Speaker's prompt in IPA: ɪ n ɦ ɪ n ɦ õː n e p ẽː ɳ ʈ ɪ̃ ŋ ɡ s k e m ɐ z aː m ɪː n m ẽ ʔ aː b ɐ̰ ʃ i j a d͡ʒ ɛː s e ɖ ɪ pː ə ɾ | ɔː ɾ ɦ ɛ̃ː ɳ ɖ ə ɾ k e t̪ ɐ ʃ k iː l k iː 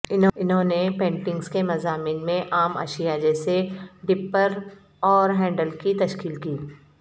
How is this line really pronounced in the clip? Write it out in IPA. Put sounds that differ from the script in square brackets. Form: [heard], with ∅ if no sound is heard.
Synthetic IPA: ɪ n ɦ ɪ n ɦ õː n e p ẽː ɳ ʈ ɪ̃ ŋ ɡ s k e m ɐ z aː m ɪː n m ẽ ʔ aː [m] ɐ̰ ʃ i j a d͡ʒ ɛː s e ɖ ɪ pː ə ɾ | ɔː ɾ ɦ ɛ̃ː ɳ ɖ ə [l] k [i] t̪ ɐ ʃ k iː l k iː